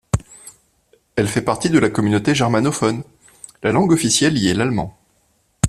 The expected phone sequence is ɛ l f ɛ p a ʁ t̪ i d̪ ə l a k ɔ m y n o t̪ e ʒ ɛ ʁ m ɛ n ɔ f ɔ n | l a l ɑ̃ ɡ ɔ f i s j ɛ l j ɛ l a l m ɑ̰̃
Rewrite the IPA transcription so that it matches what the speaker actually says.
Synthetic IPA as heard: ɛ l f ɛ p a ʁ t̪ i d̪ ə l a k ɔ m y n o t̪ e ʒ ɛ ʁ m a n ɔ f ɔ n | l a l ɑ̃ ɡ ɔ f i s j ɛ l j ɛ l a l m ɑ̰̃